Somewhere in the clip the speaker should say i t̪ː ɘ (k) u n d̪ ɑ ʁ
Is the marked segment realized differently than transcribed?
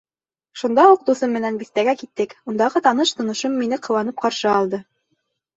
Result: no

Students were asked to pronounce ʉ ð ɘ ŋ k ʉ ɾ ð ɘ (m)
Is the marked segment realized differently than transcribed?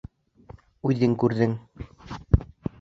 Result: yes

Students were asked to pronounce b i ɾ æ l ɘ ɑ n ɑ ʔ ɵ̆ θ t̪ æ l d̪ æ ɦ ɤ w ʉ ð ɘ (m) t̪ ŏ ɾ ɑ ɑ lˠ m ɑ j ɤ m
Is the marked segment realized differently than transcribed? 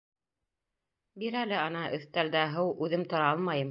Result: no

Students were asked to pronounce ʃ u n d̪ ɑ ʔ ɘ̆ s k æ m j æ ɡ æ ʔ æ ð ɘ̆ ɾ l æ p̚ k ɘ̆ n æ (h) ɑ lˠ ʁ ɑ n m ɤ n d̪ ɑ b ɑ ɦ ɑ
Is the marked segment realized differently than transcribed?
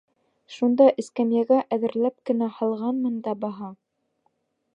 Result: no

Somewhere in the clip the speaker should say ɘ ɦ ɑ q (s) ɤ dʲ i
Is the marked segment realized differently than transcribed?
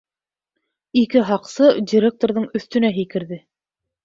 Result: no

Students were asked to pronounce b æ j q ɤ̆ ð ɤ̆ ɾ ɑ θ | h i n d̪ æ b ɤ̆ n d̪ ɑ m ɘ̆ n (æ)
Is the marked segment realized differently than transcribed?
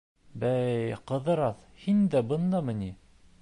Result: yes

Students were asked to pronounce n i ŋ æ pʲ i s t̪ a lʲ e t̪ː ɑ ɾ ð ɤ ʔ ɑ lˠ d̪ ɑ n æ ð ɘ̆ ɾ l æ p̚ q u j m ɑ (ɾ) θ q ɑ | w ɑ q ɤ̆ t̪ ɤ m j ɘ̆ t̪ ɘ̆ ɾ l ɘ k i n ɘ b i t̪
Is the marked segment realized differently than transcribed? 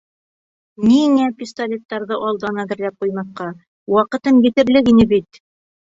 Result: yes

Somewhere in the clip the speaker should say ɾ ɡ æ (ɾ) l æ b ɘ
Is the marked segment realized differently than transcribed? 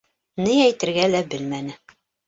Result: yes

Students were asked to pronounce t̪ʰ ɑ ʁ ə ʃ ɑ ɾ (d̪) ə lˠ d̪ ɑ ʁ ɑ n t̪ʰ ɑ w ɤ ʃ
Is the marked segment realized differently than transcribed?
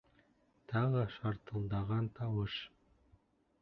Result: yes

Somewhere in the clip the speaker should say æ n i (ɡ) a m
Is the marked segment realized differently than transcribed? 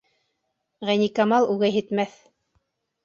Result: yes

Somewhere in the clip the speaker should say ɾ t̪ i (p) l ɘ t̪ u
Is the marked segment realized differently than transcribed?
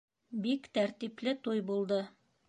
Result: no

